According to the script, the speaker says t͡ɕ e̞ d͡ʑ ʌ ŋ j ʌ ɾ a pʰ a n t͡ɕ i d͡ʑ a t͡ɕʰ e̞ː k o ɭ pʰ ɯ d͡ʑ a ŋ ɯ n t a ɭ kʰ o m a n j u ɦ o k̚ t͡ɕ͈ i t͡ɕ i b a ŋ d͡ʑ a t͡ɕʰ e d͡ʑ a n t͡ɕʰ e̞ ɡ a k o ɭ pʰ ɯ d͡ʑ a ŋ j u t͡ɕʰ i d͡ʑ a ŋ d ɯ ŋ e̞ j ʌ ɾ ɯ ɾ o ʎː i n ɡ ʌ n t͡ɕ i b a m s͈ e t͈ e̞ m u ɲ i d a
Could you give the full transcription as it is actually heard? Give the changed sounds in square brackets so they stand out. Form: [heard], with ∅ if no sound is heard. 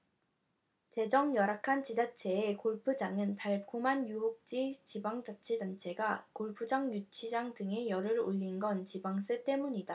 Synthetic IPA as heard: t͡ɕ e̞ d͡ʑ ʌ ŋ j ʌ ɾ a [kʰ] a n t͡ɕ i d͡ʑ a t͡ɕʰ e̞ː k o ɭ pʰ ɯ d͡ʑ a ŋ ɯ n t a ɭ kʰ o m a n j u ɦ o k̚ t͡ɕ͈ i t͡ɕ i b a ŋ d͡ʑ a t͡ɕʰ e d͡ʑ a n t͡ɕʰ e̞ ɡ a k o ɭ pʰ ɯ d͡ʑ a ŋ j u t͡ɕʰ i d͡ʑ a ŋ d ɯ ŋ e̞ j ʌ ɾ ɯ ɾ o ʎː i n ɡ ʌ n t͡ɕ i b a [ŋ] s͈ e t͈ e̞ m u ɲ i d a